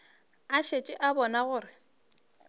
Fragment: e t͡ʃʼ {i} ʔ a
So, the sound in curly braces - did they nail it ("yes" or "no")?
no